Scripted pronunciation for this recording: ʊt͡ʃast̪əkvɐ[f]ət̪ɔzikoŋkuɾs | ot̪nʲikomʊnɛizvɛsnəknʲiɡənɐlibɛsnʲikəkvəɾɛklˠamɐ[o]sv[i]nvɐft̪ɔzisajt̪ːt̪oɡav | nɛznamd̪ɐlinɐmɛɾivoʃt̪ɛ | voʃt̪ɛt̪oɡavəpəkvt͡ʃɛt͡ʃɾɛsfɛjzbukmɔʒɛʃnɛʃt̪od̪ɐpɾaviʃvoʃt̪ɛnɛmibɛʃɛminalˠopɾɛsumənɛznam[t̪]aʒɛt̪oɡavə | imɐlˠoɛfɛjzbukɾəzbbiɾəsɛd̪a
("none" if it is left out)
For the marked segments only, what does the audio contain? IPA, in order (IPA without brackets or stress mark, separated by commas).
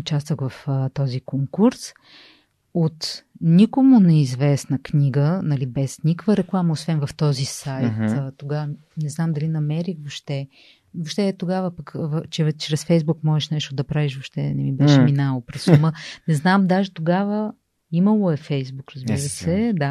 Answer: f, o, ɛ, d̪